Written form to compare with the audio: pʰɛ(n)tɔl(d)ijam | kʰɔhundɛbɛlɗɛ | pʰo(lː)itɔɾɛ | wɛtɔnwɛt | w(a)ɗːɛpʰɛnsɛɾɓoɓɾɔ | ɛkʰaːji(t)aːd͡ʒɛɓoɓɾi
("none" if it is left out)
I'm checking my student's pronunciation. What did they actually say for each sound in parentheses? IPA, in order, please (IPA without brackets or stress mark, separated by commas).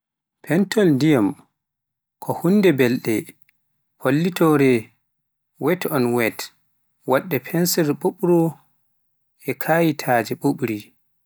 n, d, lː, a, tʰ